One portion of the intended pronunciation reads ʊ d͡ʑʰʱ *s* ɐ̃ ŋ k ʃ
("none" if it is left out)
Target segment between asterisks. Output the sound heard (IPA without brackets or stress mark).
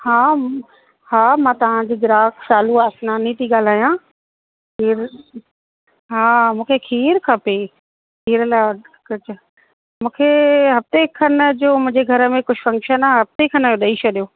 f